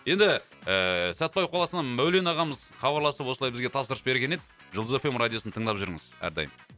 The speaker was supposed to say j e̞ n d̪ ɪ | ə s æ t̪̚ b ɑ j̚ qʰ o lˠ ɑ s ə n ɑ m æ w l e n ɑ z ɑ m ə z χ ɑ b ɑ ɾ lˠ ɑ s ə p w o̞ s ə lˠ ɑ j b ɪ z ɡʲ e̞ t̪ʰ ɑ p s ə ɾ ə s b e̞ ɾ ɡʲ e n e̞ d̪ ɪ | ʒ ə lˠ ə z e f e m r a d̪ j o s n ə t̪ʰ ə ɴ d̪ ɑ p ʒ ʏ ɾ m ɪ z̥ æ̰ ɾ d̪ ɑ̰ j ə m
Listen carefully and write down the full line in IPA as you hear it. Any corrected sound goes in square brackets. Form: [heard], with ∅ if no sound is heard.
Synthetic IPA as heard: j e̞ n d̪ ɪ | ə s æ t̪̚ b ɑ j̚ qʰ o lˠ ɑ s ə n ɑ m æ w l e n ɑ [ʁ] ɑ m ə z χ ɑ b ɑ ɾ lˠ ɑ s ə p w o̞ s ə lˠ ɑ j b ɪ z ɡʲ e̞ t̪ʰ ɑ p s ə ɾ ə s b e̞ ɾ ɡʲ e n e̞ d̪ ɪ | ʒ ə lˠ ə z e f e m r a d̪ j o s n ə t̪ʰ ə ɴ d̪ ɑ p ʒ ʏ ɾ [ŋ] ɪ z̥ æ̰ ɾ d̪ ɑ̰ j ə m